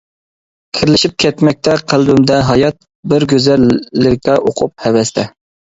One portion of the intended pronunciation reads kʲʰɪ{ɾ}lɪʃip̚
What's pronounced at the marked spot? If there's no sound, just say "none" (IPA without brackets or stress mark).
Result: ɾ